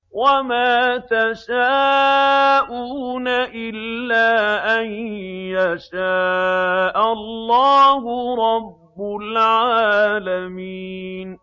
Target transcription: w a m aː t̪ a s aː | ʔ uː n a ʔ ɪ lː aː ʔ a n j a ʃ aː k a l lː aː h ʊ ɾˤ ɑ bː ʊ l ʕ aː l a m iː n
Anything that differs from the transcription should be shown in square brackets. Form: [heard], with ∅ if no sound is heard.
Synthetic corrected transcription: w a m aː t̪ a [ʃ] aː | ʔ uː n a ʔ ɪ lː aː ʔ a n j a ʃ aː [ʔ] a l lː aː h ʊ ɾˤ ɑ bː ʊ l ʕ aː l a m iː n